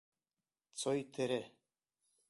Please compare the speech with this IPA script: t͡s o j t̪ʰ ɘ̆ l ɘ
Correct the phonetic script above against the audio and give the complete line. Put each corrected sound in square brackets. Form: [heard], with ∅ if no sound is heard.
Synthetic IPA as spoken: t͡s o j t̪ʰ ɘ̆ [ɾ] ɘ